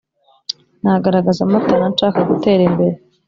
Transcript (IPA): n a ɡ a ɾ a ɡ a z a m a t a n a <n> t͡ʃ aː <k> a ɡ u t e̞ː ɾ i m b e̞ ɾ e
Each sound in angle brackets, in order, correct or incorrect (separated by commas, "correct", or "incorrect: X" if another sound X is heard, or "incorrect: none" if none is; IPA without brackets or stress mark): correct, correct